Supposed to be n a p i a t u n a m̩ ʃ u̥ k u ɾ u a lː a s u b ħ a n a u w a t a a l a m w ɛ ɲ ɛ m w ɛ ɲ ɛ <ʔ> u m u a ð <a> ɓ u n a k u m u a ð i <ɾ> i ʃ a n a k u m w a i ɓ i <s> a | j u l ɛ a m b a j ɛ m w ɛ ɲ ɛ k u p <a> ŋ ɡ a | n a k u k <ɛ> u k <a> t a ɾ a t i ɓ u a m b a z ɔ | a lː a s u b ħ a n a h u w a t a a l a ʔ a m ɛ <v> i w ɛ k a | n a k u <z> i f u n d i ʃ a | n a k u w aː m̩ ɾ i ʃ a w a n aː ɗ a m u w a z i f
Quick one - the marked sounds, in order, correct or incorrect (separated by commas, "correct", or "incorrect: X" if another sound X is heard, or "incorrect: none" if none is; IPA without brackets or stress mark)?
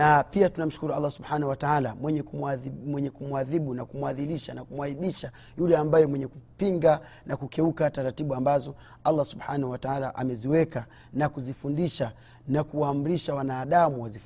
incorrect: k, incorrect: i, incorrect: l, incorrect: ʃ, incorrect: i, correct, correct, incorrect: z, correct